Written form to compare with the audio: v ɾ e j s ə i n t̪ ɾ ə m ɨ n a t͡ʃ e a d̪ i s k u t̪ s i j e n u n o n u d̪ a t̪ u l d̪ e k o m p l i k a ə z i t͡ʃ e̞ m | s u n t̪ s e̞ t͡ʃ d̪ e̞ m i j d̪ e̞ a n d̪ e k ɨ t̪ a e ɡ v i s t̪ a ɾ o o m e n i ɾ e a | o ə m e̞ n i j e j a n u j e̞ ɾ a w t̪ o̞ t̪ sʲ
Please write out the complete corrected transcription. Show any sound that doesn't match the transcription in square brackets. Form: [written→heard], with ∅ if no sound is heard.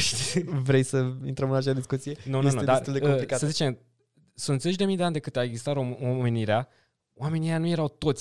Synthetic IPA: v ɾ e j s ə i n t̪ ɾ ə m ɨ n a t͡ʃ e a d̪ i s k u t̪ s i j e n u n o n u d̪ a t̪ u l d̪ e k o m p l i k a ə z i t͡ʃ e̞ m | s u n t̪ [s→z] e̞ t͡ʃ d̪ e̞ m i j d̪ e̞ a n d̪ e k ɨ t̪ a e ɡ [v→z] i s t̪ a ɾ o o m e n i ɾ e a | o [ə→a] m e̞ n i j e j a n u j e̞ ɾ a w t̪ o̞ t̪ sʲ